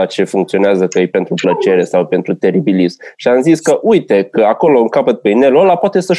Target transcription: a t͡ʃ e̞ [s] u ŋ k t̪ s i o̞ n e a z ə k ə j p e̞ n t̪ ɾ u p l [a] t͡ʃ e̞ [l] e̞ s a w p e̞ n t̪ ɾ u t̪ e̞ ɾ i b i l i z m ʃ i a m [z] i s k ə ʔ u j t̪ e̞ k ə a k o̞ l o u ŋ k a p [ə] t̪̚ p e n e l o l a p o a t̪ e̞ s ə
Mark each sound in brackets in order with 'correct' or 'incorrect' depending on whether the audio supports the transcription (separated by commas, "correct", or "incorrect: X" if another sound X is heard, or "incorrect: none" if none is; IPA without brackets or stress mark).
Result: incorrect: f, incorrect: ə, incorrect: ɾ, correct, correct